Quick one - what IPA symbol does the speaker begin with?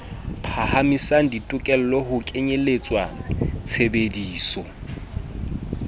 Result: pʰ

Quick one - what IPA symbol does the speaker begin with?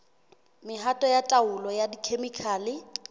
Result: m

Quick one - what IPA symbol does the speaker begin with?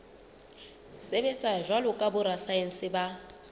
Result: s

